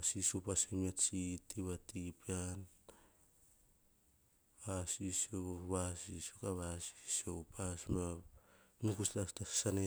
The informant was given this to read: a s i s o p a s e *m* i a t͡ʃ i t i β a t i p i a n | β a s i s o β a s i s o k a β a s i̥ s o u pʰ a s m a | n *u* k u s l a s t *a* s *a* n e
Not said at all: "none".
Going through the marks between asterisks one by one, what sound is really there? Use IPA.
m, u, a, a

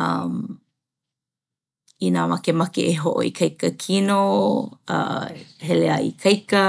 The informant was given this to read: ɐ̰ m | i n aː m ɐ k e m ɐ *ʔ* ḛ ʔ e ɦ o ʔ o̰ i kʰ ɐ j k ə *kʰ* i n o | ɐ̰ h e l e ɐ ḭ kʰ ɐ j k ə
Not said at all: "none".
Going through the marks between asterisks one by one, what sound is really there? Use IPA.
k, kʰ

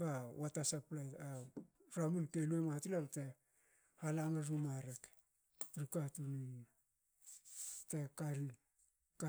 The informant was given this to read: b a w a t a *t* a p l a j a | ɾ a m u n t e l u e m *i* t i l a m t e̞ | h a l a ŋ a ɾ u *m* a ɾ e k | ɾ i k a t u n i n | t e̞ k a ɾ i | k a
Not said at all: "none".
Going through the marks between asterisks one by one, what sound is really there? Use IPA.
s, a, m

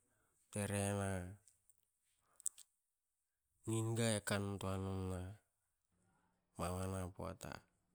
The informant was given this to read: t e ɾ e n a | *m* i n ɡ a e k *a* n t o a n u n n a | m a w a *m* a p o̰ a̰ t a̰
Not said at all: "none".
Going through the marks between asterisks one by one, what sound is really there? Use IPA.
n, a, n

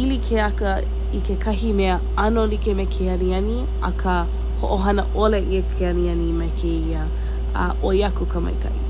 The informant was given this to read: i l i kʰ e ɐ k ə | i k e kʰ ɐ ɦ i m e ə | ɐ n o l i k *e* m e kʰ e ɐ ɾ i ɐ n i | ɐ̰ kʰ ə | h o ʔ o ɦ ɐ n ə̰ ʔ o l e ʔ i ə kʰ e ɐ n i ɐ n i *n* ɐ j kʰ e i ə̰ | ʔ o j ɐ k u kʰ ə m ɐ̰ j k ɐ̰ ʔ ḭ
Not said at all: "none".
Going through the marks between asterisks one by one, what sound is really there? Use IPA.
e, m

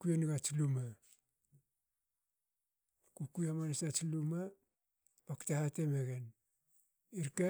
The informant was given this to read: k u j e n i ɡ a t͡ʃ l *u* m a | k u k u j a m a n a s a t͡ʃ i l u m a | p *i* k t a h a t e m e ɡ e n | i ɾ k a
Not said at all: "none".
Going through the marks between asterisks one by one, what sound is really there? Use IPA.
u, a

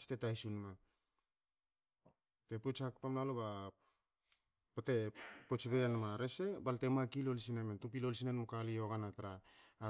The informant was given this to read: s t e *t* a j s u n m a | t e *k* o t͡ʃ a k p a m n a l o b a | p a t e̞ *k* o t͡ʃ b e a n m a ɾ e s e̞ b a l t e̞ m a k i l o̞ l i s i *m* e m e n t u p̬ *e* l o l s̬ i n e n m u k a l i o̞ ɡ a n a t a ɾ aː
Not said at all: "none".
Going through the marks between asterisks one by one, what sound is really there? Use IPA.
t, p, p, n, i

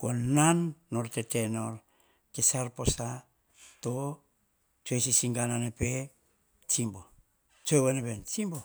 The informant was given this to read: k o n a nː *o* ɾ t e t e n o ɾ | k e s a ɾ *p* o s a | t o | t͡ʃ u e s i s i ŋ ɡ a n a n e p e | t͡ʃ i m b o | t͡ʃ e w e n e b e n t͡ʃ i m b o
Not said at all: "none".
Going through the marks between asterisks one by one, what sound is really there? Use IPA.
o, p

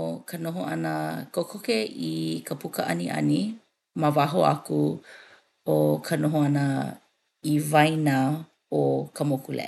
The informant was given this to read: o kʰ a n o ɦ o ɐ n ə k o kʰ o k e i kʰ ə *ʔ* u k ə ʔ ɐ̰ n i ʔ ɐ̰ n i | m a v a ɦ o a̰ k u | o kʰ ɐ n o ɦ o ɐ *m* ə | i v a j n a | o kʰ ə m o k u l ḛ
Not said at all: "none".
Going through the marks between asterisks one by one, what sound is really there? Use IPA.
p, n

